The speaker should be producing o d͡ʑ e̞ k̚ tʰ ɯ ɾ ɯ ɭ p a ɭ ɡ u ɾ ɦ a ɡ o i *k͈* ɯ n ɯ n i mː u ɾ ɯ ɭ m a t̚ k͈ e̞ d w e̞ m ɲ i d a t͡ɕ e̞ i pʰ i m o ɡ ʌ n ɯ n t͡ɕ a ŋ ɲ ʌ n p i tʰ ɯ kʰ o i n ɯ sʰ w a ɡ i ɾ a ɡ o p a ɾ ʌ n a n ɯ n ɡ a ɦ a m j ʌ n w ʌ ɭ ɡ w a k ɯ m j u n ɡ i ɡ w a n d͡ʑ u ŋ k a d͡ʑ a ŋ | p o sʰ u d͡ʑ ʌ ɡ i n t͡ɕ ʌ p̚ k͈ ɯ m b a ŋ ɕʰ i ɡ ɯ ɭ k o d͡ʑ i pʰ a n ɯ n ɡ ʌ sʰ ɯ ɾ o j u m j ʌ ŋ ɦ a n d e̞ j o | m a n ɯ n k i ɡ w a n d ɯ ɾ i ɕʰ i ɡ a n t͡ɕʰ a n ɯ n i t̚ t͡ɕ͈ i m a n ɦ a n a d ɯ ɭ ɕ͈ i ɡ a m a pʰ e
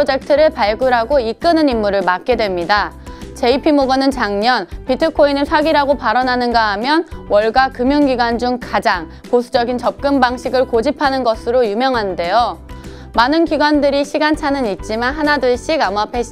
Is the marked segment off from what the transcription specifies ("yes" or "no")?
no